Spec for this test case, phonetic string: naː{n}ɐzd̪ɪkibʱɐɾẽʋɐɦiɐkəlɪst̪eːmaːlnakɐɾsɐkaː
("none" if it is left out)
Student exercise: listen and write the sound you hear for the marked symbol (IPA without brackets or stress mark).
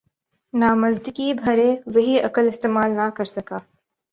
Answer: m